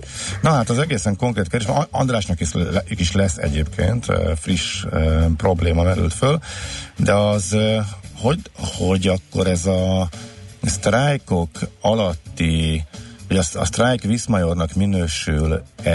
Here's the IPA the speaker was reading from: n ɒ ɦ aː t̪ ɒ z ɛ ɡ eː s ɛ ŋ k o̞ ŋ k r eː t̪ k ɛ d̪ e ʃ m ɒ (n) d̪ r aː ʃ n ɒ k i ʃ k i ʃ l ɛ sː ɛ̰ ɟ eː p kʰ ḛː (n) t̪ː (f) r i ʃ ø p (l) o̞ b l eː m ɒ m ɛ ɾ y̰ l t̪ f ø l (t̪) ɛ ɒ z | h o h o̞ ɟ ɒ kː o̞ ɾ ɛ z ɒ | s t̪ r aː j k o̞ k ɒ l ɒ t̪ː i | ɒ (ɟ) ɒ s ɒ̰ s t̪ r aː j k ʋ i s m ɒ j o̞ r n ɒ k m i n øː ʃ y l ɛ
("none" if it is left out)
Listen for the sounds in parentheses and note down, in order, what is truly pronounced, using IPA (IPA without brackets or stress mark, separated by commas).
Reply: n, n, f, r, d̪, ɟ